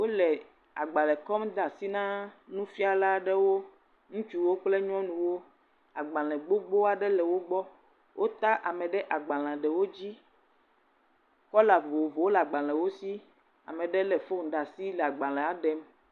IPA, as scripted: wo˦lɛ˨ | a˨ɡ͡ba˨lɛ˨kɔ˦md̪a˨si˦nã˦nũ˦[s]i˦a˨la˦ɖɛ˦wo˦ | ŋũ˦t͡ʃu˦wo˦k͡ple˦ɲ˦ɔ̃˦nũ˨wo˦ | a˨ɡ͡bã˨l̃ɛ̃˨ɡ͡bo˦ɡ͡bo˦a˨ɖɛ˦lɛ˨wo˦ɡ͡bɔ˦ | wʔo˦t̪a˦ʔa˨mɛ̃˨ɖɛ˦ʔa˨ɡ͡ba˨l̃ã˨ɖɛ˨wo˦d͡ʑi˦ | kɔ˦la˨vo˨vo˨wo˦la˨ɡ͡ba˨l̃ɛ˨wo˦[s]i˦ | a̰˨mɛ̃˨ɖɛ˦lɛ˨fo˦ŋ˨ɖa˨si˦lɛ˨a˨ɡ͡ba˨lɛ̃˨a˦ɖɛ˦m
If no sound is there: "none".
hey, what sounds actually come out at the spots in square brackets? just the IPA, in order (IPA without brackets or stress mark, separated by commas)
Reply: f, s